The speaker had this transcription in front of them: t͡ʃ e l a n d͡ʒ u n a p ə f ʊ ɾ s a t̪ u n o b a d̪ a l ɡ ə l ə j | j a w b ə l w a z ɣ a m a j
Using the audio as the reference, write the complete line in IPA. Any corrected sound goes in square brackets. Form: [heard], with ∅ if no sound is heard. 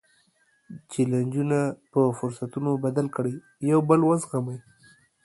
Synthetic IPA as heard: t͡ʃ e l a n d͡ʒ u n a p ə f ʊ ɾ s a t̪ u n o b a d̪ a l [k] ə [ɽ] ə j | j a w b ə l w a z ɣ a m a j